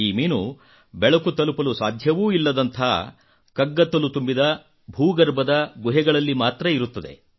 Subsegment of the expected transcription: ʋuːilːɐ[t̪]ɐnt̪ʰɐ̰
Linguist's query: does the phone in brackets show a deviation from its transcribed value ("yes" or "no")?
yes